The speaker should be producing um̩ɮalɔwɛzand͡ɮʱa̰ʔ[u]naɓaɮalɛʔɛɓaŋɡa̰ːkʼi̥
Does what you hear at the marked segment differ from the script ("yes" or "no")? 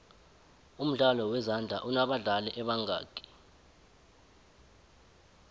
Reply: no